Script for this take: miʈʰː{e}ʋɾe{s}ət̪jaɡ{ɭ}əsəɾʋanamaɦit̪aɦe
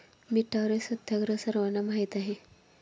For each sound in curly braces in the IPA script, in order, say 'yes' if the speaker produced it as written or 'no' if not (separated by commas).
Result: no, yes, no